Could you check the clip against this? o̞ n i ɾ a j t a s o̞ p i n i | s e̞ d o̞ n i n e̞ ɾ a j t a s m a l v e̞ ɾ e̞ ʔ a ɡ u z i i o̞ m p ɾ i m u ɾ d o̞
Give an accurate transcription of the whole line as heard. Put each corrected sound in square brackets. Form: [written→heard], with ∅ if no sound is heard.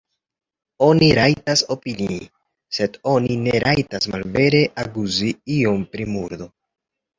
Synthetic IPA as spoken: o̞ n i ɾ a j t a s o̞ p i n i | s e̞ d o̞ n i n e̞ ɾ a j t a s m a l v e̞ ɾ e̞ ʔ a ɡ u z i i o̞ m p ɾ i m u ɾ d o̞